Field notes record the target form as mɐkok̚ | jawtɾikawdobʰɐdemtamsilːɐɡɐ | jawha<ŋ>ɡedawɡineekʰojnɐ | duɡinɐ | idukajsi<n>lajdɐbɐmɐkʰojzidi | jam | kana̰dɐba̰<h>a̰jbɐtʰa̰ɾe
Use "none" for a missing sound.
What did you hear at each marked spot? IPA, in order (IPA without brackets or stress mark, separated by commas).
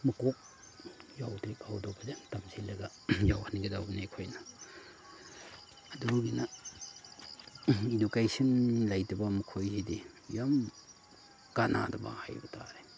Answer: n, n, h